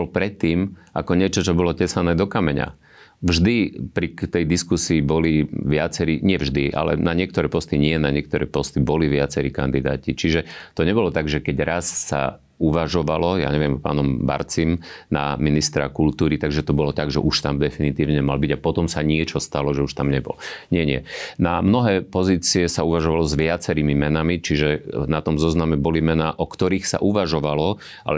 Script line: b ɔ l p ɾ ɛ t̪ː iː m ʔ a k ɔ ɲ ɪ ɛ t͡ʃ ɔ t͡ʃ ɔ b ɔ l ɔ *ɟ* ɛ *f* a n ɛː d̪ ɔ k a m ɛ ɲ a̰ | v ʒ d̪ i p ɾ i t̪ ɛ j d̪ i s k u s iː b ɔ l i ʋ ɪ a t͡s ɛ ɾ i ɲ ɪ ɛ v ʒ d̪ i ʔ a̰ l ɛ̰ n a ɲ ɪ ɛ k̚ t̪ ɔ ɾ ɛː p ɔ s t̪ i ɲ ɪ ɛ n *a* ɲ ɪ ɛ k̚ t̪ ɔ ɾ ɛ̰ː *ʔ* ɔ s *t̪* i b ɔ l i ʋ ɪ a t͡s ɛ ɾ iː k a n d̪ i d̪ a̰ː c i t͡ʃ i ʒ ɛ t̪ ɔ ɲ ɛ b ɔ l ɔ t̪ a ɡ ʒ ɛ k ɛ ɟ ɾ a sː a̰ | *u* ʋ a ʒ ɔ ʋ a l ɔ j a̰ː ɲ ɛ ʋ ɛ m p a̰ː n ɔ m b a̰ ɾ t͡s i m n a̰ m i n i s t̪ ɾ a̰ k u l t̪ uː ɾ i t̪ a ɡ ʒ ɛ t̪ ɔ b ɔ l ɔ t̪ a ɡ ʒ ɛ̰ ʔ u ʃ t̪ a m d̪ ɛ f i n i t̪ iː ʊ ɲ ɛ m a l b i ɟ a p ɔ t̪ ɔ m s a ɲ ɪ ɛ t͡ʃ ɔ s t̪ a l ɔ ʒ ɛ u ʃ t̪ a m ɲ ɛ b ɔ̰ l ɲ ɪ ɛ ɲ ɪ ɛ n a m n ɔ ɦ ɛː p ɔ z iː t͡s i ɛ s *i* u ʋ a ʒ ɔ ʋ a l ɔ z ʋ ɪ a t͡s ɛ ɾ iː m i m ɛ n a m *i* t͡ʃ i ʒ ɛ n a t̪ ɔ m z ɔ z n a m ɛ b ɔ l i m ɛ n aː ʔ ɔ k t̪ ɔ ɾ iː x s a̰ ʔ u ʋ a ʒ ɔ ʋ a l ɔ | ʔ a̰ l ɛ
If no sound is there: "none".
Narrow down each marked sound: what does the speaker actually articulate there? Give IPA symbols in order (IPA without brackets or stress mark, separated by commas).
c, s, a, p, t̪, u, a, i